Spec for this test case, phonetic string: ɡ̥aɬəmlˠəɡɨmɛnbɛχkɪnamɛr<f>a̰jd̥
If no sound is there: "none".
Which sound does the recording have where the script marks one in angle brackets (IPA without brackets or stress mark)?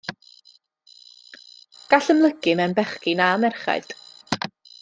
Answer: χ